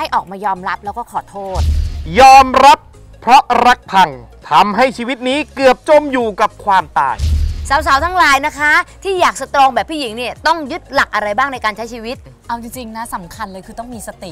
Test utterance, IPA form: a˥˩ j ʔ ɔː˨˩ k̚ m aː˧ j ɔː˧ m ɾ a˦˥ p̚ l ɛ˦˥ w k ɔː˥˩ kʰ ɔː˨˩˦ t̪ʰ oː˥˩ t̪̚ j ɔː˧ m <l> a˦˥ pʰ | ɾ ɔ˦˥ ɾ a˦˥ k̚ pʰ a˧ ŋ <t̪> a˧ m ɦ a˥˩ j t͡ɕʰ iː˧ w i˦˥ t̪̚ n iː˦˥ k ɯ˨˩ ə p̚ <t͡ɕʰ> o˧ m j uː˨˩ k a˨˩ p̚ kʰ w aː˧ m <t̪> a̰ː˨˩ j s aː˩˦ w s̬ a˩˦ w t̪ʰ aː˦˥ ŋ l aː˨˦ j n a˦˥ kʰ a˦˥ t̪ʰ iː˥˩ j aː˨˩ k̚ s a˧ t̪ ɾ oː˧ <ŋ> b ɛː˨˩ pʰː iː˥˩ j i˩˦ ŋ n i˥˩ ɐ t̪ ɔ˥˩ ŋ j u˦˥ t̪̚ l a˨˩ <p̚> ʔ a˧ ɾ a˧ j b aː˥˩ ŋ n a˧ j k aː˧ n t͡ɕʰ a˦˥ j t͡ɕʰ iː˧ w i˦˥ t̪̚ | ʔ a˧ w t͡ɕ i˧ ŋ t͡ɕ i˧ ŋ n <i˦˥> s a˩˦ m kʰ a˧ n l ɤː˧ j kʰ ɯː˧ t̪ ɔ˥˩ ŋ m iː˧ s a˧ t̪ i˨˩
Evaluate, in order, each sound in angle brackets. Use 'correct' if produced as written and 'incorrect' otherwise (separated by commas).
incorrect, incorrect, incorrect, correct, correct, incorrect, incorrect